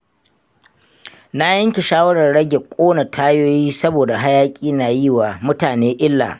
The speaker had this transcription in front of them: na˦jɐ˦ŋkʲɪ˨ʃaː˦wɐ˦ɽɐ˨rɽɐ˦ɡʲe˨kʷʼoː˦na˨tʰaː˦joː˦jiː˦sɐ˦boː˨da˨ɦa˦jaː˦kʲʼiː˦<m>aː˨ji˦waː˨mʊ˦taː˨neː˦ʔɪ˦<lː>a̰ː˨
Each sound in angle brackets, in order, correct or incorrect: incorrect, correct

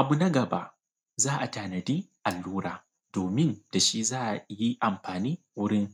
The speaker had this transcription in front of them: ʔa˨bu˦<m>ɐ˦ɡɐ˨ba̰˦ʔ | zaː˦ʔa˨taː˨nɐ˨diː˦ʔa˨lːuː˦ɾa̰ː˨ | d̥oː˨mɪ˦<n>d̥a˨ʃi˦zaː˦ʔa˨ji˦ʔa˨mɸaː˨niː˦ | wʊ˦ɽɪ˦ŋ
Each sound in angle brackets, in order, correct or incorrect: incorrect, correct

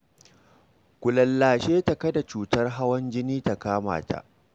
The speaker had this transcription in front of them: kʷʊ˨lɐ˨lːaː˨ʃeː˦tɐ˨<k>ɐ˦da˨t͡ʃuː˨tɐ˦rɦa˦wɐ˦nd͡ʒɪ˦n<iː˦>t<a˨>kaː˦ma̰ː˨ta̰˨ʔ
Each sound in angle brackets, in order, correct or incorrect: correct, correct, correct

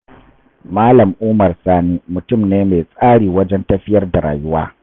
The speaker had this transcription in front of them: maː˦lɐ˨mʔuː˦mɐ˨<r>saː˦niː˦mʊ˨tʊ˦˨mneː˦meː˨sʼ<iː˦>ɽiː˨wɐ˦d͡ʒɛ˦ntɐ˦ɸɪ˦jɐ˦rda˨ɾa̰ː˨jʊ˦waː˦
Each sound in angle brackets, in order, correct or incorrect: correct, incorrect

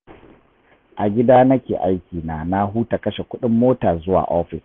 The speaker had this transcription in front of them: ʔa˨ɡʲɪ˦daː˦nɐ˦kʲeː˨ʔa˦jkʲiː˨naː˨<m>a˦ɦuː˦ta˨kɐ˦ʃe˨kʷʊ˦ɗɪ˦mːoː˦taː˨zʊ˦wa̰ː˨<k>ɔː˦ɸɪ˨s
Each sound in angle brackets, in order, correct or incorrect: incorrect, incorrect

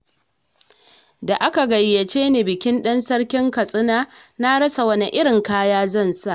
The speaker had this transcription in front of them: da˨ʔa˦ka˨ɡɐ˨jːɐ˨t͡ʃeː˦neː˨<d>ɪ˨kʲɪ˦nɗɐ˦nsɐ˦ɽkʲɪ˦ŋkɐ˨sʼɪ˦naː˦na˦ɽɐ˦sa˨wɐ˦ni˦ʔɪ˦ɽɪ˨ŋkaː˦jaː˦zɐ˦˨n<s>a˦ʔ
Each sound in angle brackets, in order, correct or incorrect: incorrect, correct

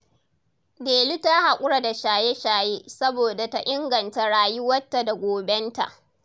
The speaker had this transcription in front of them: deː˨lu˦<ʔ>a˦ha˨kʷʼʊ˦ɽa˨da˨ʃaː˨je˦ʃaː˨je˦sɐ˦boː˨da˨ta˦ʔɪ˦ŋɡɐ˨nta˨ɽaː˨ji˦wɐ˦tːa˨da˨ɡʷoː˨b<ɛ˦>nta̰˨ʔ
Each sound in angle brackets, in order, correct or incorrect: incorrect, correct

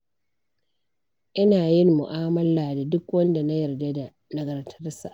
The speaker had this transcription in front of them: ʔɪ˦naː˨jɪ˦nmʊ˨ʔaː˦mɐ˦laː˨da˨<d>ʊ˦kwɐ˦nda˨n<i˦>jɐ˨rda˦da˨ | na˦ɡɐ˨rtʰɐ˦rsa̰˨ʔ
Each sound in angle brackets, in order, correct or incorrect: correct, incorrect

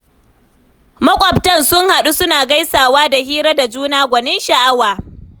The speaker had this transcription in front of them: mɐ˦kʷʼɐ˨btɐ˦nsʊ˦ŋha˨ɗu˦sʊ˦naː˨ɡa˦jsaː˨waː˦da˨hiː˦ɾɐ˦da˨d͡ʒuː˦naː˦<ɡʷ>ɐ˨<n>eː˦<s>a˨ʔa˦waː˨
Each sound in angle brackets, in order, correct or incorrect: correct, correct, incorrect

